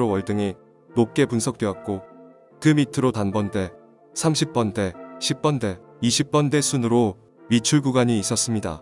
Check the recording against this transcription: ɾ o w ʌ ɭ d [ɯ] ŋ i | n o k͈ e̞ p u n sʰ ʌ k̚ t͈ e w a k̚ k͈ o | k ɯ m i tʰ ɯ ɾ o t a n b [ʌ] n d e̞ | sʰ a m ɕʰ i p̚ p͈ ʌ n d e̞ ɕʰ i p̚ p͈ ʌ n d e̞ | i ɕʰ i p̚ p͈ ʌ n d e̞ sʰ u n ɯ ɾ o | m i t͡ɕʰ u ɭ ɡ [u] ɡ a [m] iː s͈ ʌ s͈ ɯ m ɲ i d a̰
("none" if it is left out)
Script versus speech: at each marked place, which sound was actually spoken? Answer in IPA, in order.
ɯ, ʌ, u, ɲ

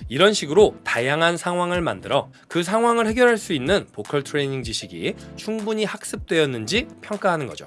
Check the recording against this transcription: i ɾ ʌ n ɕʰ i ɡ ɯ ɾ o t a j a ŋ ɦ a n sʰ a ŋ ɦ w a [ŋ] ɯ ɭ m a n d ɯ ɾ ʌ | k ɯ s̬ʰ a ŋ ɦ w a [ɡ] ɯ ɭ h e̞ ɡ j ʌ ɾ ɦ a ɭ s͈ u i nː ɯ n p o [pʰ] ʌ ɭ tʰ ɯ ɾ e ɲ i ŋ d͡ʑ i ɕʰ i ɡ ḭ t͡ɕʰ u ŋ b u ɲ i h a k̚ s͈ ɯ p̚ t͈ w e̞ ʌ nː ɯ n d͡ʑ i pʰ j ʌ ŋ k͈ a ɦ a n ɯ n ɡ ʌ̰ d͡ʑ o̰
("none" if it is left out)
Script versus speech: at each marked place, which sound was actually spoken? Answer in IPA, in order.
ŋ, ŋ, kʰ

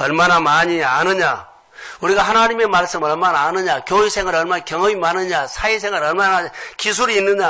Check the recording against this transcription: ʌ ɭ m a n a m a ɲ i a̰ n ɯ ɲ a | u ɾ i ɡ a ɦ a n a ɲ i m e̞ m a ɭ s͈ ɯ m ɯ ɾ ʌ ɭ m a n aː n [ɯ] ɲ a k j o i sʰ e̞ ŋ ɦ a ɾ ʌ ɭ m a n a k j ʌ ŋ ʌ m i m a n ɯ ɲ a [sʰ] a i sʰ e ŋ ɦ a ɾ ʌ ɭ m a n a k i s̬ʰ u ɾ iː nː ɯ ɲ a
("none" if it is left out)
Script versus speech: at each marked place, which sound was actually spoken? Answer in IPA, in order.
ɯ, sʰ

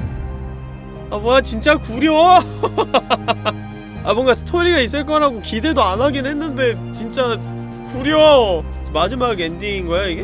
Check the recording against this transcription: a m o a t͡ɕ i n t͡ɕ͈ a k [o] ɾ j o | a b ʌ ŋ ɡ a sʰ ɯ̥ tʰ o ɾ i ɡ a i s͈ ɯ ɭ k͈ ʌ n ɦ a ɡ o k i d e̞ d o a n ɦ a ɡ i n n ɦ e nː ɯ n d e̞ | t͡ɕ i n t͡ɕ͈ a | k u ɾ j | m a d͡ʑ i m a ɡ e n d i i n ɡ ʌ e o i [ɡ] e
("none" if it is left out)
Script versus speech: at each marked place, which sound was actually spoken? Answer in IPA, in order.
u, ɡ

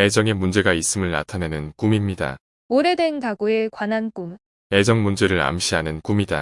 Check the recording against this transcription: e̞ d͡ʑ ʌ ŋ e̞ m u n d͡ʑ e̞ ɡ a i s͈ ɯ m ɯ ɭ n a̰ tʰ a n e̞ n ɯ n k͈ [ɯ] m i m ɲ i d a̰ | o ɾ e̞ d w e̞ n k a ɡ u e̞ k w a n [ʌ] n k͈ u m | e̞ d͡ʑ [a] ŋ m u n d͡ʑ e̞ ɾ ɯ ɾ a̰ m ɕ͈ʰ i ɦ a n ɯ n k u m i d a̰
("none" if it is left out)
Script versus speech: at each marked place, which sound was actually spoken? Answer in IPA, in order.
u, a, ʌ

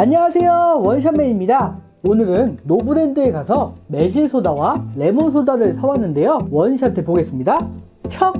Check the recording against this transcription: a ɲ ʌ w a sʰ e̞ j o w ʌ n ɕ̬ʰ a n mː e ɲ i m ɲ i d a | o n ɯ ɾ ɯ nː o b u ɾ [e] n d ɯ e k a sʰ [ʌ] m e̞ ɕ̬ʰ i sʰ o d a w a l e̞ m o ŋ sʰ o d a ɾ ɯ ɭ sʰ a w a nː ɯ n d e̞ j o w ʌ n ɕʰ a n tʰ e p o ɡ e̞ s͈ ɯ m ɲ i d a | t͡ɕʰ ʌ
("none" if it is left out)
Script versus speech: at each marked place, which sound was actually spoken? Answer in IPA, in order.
e, ʌ

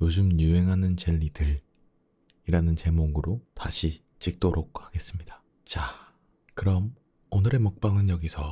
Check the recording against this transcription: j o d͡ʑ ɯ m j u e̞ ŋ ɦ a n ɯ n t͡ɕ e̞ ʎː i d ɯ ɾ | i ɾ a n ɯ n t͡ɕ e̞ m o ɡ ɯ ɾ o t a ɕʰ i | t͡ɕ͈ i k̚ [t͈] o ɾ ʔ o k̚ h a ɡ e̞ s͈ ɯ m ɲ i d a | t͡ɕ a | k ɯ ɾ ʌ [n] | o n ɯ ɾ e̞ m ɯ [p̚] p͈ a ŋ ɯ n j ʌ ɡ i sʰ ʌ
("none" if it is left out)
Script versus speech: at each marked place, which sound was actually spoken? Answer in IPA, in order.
t͈, m, k̚

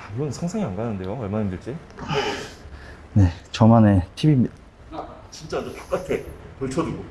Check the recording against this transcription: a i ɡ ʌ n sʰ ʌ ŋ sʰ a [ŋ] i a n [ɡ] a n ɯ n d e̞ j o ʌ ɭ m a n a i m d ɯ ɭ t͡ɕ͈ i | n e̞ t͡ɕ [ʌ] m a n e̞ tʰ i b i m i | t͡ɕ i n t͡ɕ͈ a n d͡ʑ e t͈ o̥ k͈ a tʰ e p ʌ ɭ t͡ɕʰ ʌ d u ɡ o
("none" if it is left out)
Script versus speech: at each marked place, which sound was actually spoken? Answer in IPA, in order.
ŋ, ɡ, ʌ

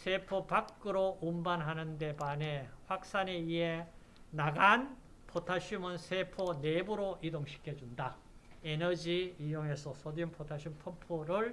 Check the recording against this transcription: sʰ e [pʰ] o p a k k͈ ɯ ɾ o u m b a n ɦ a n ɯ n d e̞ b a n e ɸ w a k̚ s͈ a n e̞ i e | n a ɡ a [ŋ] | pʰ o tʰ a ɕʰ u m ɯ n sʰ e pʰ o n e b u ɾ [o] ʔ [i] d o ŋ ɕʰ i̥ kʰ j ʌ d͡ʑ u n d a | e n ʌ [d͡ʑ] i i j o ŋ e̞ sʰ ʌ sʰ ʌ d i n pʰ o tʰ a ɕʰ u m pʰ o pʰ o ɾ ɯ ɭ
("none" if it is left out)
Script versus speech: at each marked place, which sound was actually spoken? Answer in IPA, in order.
pʰ, n, o, i, d͡ʑ

